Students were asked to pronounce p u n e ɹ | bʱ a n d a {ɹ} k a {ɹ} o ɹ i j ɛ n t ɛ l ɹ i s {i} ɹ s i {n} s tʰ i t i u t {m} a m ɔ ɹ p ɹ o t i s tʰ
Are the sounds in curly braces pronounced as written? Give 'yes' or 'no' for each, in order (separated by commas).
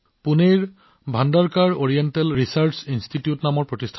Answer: yes, yes, no, yes, no